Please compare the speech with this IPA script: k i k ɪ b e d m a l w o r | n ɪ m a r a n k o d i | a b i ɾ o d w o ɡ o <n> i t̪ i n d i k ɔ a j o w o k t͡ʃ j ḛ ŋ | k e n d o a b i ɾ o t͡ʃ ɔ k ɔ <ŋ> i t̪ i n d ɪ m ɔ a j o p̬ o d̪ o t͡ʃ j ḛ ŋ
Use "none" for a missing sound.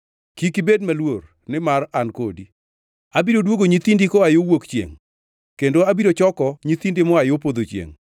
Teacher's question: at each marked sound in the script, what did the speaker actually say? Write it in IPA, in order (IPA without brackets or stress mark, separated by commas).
ɲ, ɲ